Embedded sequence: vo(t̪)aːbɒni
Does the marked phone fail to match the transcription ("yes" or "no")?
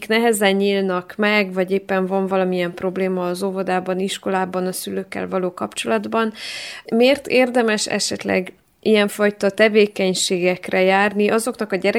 yes